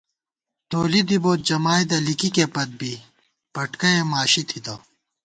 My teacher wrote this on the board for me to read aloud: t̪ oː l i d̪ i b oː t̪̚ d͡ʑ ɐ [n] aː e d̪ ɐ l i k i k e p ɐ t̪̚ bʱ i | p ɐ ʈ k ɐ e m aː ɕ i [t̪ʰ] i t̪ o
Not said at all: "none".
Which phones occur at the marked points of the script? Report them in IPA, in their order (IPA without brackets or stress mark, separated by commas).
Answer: m, t̪ʰ